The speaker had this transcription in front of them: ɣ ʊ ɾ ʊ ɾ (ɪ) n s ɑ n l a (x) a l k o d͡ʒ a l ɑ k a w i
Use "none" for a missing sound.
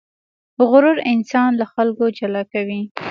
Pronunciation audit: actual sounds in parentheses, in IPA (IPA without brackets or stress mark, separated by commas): ɪ, x